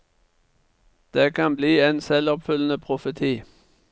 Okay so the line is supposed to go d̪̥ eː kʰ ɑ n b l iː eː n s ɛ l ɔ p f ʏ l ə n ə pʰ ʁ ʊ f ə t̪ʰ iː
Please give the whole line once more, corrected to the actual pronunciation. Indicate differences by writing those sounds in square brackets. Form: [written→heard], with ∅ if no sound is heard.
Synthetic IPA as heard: d̪̥ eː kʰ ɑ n b l iː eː n s ɛ l ɔ p f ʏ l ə n ə pʰ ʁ ʊ f ə t̪ʰ iː